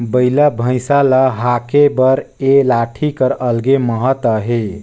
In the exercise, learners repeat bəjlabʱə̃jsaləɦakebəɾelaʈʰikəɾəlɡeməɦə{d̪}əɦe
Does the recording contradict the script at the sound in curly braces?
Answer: yes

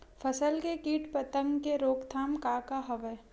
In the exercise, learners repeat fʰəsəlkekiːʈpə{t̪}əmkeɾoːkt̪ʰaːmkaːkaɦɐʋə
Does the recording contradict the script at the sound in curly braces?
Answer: no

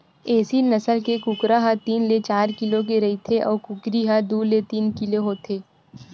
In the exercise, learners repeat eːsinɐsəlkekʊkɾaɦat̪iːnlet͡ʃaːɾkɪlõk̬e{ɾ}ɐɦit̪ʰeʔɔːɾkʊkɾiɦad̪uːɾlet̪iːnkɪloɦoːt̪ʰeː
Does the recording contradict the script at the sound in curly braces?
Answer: no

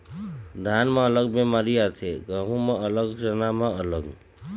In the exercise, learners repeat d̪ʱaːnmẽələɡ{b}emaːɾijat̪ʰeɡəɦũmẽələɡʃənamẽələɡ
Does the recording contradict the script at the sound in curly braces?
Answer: no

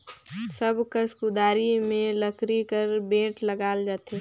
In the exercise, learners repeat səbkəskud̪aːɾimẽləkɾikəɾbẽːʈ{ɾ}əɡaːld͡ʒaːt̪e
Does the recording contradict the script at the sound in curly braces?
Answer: yes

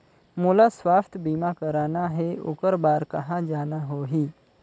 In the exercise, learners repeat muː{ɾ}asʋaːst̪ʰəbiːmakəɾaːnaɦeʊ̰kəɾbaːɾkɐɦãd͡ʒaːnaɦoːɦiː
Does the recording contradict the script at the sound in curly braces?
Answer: yes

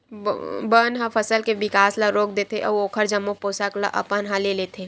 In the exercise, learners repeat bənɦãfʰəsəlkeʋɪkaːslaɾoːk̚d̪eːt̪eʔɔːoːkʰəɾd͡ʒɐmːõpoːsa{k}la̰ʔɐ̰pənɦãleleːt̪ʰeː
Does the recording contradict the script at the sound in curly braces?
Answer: no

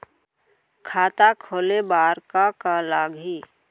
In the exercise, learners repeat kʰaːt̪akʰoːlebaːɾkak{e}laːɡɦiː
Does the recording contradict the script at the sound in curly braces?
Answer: yes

